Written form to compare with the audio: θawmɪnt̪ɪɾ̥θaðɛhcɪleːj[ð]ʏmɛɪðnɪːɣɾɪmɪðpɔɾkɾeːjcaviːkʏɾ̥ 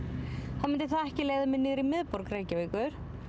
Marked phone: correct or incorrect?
correct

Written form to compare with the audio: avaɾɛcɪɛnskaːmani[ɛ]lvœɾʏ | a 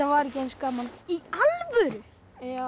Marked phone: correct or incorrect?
incorrect: a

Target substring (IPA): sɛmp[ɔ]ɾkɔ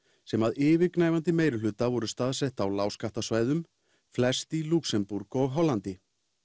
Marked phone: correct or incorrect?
incorrect: u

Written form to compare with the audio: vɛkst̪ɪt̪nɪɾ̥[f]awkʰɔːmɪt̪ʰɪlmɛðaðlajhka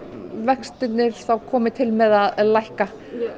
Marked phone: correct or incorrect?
incorrect: θ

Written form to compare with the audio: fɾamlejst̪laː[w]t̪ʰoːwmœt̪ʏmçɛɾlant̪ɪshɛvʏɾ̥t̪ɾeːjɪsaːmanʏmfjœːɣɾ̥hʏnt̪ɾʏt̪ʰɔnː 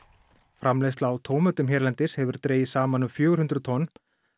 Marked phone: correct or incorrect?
correct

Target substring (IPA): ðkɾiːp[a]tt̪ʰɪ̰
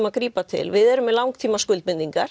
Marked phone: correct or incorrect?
correct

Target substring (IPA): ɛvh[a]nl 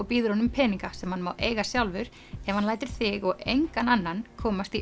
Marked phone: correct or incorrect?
correct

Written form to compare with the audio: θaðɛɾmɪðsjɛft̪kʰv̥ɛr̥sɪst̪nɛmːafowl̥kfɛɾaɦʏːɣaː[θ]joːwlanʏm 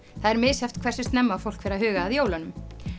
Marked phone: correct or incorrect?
incorrect: ð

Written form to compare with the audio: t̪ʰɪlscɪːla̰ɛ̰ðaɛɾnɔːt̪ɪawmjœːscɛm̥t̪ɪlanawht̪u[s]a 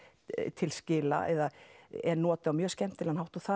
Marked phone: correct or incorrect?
incorrect: θ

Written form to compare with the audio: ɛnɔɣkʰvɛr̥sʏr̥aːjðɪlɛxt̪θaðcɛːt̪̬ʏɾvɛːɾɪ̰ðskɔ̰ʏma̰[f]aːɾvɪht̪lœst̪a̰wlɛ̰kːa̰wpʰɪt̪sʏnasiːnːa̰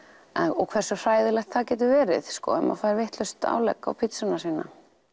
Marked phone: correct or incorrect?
correct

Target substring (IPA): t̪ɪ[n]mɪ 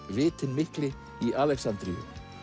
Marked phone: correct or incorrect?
correct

